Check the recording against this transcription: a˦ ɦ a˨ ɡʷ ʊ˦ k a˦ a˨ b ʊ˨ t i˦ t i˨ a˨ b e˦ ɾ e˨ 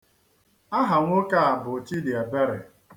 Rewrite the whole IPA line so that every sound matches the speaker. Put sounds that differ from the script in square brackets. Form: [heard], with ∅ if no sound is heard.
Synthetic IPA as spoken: a˦ ɦ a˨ [ŋʷ] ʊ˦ k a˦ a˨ b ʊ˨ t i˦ [d] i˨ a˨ b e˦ ɾ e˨